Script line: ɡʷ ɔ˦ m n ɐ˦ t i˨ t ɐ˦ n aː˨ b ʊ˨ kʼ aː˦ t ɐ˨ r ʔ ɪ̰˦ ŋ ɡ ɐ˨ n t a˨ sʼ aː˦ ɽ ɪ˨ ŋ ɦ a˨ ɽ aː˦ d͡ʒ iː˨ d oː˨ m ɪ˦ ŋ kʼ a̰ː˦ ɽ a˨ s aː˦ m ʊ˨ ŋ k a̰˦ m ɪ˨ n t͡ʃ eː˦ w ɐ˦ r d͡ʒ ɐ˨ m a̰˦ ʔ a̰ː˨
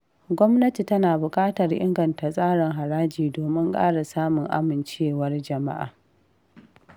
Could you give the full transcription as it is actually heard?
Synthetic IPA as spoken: ɡʷ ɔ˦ m n ɐ˦ t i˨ t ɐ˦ n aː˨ b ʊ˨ kʼ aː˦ t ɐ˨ r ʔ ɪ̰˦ ŋ ɡ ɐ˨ n t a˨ sʼ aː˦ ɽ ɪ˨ ŋ ɦ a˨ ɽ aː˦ d͡ʒ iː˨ d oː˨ m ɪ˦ ŋ kʼ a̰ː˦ ɽ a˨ s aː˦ m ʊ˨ ŋ ʔ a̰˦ m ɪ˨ n t͡ʃ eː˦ w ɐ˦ r d͡ʒ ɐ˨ m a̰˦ ʔ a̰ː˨

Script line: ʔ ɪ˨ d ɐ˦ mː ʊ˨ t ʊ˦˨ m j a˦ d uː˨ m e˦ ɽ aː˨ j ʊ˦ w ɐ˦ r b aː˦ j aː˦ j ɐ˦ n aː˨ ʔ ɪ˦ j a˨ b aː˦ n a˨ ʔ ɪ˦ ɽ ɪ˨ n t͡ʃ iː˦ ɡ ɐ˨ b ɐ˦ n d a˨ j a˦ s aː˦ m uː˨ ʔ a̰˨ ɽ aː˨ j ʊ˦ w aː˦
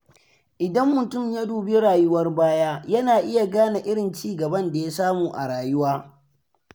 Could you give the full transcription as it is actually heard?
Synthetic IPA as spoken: ʔ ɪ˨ d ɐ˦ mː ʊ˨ t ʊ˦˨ m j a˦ d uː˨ b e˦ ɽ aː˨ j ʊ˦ w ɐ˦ r b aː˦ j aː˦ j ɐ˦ n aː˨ ʔ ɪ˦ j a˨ ɡ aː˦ n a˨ ʔ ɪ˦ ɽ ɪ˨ n t͡ʃ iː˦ ɡ ɐ˨ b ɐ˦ n d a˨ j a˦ s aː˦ m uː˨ ʔ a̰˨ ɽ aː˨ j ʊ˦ w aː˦

